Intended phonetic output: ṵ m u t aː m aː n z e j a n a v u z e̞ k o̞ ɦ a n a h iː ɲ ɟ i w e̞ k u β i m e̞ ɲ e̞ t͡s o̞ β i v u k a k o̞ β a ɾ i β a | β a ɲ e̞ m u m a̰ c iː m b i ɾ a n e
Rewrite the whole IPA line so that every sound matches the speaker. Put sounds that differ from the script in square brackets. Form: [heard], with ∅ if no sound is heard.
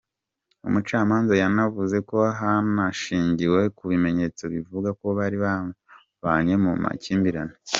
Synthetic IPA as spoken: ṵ m u [t͡ʃ] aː m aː n z [a] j a n a v u z e̞ k o̞ ɦ a n a [ʃ] iː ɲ ɟ i w e̞ k u β i m e̞ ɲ e̞ t͡s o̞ β i v u [ɡ] a k o̞ β a ɾ i β a | β a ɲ e̞ m u m a̰ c iː m b i ɾ a n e

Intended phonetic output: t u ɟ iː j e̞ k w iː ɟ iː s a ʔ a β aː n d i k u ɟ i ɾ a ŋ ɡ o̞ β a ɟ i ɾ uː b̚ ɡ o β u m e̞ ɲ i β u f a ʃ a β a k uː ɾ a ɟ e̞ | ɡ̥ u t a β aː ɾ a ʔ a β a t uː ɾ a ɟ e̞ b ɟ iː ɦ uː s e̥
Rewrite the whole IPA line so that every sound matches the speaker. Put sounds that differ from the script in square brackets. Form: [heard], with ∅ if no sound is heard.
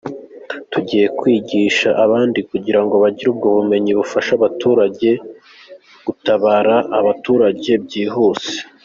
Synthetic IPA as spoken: t u ɟ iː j e̞ k w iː ɟ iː [ʃ] a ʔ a β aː n d i k u ɟ i ɾ a ŋ ɡ o̞ β a ɟ i ɾ uː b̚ ɡ o β u m e̞ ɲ i β u f a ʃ a β a [t] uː ɾ a ɟ e̞ | ɡ̥ u t a β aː ɾ a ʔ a β a t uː ɾ a ɟ e̞ b ɟ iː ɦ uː s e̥

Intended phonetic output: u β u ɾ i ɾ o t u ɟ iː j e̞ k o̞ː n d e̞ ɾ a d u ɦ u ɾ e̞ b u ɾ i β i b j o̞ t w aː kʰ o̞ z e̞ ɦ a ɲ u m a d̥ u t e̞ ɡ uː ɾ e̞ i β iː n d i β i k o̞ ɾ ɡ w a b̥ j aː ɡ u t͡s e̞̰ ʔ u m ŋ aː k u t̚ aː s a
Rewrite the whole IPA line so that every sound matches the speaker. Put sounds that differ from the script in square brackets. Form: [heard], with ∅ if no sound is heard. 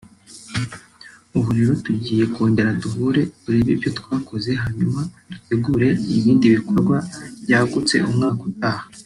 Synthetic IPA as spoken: u β u ɾ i ɾ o t u ɟ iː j e̞ k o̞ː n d e̞ ɾ a d u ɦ u ɾ e̞ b u ɾ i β i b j o̞ t w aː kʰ o̞ z e̞ ɦ a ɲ u m a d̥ u t e̞ ɡ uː ɾ e̞ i β iː n d i β i k o̞ ɾ ɡ w a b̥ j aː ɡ u t͡s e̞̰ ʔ u m ŋ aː k u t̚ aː [h] a

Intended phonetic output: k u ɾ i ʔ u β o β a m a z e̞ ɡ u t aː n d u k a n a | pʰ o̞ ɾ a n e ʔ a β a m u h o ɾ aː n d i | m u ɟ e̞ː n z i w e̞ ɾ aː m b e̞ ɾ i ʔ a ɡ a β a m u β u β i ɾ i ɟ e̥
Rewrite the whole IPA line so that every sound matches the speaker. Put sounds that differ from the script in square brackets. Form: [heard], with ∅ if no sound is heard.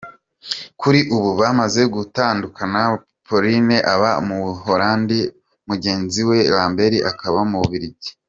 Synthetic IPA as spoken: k u ɾ i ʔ u β [u] β a m a z e̞ ɡ u t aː n d u k a n a | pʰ o̞ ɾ [i] n e ʔ a β a m u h o ɾ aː n d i | m u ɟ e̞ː n z i w e̞ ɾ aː m b e̞ ɾ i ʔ a [k] a β a m u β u β i ɾ i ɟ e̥

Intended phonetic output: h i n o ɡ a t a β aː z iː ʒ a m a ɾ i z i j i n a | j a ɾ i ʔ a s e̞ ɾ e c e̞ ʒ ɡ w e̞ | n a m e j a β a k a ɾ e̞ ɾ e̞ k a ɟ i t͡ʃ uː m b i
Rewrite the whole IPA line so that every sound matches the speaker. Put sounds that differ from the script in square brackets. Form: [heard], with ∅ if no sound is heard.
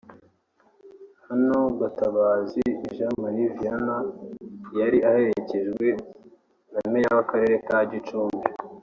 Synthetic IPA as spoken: h [a] n o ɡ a t a β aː z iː ʒ a m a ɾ i [v] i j [a] n a | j a ɾ i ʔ a [h] e̞ ɾ e c e̞ ʒ ɡ w e̞ | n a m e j a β a k a ɾ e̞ ɾ e̞ k a ɟ i t͡ʃ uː m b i

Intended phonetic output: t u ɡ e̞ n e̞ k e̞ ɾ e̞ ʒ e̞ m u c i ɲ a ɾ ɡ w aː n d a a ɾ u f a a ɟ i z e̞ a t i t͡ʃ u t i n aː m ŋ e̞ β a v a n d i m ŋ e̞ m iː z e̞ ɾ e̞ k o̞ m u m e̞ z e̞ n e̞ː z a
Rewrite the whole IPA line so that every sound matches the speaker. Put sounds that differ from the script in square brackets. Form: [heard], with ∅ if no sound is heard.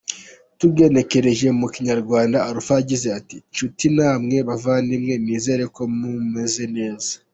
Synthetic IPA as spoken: t u ɡ e̞ n e̞ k e̞ ɾ e̞ ʒ e̞ m u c i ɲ a ɾ ɡ w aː n d a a ɾ u f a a ɟ i z e̞ a t i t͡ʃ u t i n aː m ŋ e̞ β a v a n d i m ŋ e̞ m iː z e̞ ɾ e̞ k o̞ m u m e̞ z e̞ n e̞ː z a

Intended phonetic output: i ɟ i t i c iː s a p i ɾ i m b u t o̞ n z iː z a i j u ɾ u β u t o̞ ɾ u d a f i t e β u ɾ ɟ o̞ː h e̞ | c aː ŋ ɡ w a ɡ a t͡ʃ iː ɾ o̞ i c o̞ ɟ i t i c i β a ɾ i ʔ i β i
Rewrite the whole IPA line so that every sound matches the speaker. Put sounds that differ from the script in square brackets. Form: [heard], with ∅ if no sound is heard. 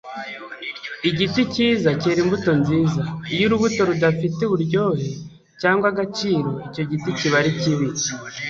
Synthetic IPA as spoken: i ɟ i t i c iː [z] a [c] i ɾ i m b u t o̞ n z iː z a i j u ɾ u β u t o̞ ɾ u d a f i t e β u ɾ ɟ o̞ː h e̞ | c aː ŋ ɡ w a ɡ a t͡ʃ iː ɾ o̞ i c o̞ ɟ i t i c i β a ɾ i [c] i β i

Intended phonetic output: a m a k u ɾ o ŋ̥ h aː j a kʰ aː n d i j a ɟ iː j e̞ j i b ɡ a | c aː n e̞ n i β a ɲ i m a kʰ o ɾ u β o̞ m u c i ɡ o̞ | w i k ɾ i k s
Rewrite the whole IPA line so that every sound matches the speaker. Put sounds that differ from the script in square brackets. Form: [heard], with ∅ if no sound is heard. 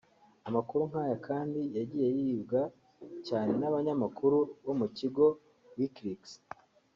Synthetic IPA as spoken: a m a k u ɾ [u] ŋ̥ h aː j a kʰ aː n d i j a ɟ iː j e̞ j i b ɡ a | c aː n e̞ n [a] β a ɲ [a] m a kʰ [u] ɾ u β o̞ m u c i ɡ o̞ | w i k ɾ i k s

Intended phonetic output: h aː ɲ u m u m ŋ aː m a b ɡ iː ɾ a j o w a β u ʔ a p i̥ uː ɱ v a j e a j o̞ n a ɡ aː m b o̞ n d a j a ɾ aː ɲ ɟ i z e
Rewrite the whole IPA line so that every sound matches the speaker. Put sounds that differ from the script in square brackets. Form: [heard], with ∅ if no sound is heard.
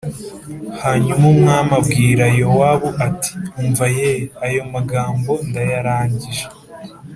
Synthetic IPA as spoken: h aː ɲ u m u m ŋ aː m a b ɡ iː ɾ a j o w a β u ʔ a [t] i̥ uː ɱ v a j e a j o̞ [m] a ɡ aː m b o̞ n d a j a ɾ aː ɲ ɟ i [ʒ] e

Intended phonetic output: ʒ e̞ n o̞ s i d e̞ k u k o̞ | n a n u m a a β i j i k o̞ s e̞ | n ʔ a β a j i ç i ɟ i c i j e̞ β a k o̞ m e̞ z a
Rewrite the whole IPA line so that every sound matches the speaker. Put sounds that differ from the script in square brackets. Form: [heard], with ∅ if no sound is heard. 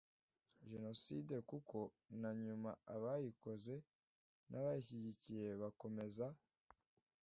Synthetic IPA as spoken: ʒ e̞ n o̞ s i d e̞ k u k o̞ | n a [ɲ] u m a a β [a] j i k o̞ [z] e̞ | n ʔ a β a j i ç i ɟ i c i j e̞ β a k o̞ m e̞ z a

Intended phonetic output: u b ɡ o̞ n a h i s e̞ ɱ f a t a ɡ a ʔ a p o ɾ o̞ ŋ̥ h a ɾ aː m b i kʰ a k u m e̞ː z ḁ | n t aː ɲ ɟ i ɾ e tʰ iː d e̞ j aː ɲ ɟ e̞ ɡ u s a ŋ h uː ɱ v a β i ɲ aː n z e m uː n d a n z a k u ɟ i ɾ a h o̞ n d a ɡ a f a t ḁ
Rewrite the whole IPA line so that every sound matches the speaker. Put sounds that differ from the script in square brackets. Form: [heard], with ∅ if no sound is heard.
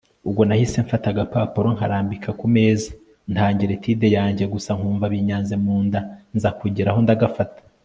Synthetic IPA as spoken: u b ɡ o̞ n a h i s e̞ ɱ f a t a ɡ a [p] a p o ɾ o̞ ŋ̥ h a ɾ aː m b i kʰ a k u m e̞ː z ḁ | n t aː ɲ ɟ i ɾ e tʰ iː d e̞ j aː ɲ ɟ e̞ ɡ u s a ŋ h uː ɱ v a β i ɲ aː n z e m uː n d a n z a k u ɟ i ɾ a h o̞ n d a ɡ a f a t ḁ

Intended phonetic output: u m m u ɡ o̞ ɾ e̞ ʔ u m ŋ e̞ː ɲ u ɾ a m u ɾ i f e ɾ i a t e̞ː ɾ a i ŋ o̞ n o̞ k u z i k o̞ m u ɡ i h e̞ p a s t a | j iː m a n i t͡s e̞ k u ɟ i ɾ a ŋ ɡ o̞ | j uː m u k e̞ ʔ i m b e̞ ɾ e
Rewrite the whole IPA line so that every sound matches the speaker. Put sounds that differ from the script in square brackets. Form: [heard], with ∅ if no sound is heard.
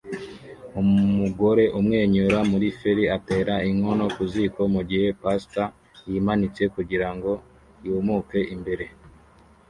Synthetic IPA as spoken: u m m u ɡ o̞ ɾ e̞ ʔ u m ŋ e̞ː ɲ u ɾ a m u ɾ i f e ɾ i a t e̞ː ɾ a i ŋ o̞ n o̞ k u z i k o̞ m u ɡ i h e̞ p a s t a | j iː m a n i t͡s e̞ k u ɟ i ɾ a ŋ ɡ o̞ | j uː m u k e̞ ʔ i m b e̞ ɾ e

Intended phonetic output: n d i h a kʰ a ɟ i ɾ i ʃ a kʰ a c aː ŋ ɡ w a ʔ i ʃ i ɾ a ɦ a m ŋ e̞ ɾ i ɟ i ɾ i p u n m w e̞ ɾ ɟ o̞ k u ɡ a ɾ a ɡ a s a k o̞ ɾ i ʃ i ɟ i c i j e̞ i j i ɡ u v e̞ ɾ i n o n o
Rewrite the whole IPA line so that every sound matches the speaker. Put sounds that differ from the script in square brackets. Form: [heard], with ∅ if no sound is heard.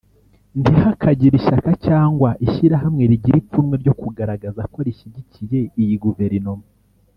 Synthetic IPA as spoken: n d i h a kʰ a ɟ i ɾ i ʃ a [k] a c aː ŋ ɡ w a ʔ i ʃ i ɾ a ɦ a m ŋ e̞ ɾ i ɟ i ɾ i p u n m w e̞ ɾ ɟ o̞ k u ɡ a ɾ a ɡ a [z] a k o̞ ɾ i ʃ i ɟ i c i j e̞ i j i ɡ u v e̞ ɾ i n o [m] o

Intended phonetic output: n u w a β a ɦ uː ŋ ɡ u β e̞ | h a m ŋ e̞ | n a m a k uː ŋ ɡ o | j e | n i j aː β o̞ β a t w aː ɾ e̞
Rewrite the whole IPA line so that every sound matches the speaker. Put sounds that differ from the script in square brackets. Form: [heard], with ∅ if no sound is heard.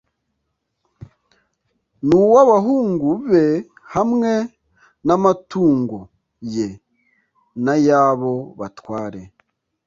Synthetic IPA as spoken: n u w a β a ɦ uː ŋ ɡ u β e̞ | h a m ŋ e̞ | n a m a [t] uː ŋ ɡ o | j e | n [a] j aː β o̞ β a t w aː ɾ e̞

